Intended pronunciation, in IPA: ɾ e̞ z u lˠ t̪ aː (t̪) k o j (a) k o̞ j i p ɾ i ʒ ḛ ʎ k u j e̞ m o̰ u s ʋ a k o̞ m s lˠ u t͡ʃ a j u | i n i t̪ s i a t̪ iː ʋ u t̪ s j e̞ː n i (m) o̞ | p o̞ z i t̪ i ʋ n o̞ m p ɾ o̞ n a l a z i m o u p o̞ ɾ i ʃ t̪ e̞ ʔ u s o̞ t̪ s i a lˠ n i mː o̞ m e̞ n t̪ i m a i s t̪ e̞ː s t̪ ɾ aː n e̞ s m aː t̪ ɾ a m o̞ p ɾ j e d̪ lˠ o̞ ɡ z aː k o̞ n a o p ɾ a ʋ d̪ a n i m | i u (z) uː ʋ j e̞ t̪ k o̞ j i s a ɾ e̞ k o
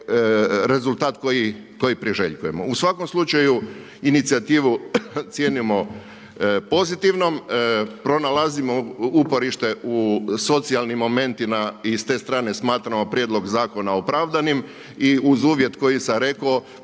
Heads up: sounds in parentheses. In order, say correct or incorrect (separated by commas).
correct, incorrect, correct, correct